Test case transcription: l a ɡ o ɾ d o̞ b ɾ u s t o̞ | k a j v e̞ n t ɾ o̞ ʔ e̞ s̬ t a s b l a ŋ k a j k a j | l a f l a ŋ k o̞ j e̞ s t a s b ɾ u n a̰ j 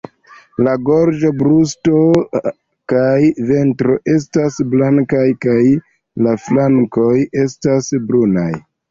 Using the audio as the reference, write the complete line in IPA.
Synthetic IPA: l a ɡ o ɾ d͡ʒ o̞ b ɾ u s t o̞ | k a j v e̞ n t ɾ o̞ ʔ e̞ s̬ t a s b l a ŋ k a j k a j | l a f l a ŋ k o̞ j e̞ s t a s b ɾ u n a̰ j